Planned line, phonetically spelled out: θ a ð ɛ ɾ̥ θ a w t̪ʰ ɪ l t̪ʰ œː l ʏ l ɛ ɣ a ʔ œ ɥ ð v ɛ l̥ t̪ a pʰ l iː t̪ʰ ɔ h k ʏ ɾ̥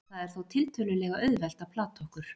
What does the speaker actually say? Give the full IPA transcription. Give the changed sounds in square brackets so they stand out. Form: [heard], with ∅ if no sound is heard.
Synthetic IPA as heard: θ a ð ɛ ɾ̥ θ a w t̪ʰ ɪ l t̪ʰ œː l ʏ l ɛ ɣ a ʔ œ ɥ ð v ɛ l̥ t̪ a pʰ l [aː] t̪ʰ ɔ h k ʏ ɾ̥